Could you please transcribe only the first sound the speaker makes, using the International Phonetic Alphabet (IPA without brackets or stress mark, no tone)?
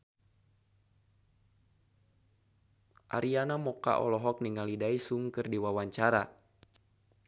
ʔ